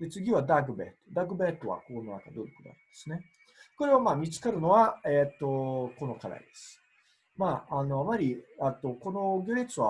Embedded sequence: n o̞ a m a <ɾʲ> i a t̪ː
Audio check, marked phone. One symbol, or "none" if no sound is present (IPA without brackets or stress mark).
ɾʲ